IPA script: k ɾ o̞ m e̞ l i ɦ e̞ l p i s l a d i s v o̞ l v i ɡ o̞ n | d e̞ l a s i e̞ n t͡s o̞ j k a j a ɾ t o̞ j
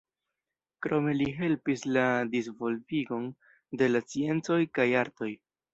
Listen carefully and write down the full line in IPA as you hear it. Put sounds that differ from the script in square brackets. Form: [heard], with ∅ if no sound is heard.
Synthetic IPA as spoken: k ɾ o̞ m e̞ l i ɦ e̞ l p i s l a d i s v o̞ l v i ɡ o̞ n | d e̞ l a [t͡s] i e̞ n t͡s o̞ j k a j a ɾ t o̞ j